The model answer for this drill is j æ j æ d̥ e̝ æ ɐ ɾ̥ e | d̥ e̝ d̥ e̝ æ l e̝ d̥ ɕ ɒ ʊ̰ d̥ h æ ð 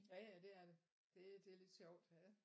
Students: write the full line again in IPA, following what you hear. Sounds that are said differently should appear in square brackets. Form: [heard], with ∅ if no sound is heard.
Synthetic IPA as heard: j æ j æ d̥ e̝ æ ɐ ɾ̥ e | d̥ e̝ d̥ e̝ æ l e̝ d̥ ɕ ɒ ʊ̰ d̥ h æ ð

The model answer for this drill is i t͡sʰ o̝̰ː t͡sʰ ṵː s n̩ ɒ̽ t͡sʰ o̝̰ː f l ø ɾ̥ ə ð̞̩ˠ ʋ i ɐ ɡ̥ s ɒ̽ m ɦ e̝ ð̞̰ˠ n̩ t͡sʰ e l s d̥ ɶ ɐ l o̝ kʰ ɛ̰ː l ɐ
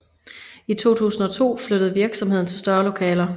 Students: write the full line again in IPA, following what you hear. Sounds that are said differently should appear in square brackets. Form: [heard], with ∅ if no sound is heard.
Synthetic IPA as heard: i t͡sʰ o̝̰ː t͡sʰ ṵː s n̩ ɒ̽ t͡sʰ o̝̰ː f l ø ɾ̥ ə ð̞̩ˠ ʋ i ɐ ɡ̥ s ɒ̽ m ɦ e̝ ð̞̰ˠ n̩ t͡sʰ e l s d̥ ɶ ɐ l o̝ kʰ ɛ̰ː l ɐ

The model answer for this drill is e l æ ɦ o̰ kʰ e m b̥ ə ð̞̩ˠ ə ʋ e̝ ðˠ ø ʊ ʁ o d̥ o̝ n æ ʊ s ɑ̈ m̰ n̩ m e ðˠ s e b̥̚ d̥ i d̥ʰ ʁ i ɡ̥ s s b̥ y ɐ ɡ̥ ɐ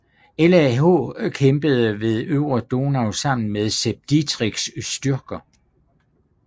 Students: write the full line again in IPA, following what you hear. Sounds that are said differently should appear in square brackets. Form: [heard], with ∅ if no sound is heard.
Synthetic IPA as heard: e l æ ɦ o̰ kʰ e m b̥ ə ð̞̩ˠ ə ʋ e̝ ðˠ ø ʊ ʁ o d̥ o̝ n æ ʊ s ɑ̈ m̰ n̩ m e ðˠ s e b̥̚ d̥ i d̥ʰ ʁ i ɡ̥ s s [d̥] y ɐ ɡ̥ ɐ

